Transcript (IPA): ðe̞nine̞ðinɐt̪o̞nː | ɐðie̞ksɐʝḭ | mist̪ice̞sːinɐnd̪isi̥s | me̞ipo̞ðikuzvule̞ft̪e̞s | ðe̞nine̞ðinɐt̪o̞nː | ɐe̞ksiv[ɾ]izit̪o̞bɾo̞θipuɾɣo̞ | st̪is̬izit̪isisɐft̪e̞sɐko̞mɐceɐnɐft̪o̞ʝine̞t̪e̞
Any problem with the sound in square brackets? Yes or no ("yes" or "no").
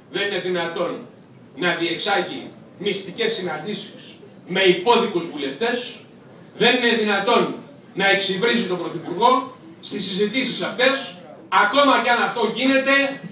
no